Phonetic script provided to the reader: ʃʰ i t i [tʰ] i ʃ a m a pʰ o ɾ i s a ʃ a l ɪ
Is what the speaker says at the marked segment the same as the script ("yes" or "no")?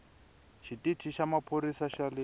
yes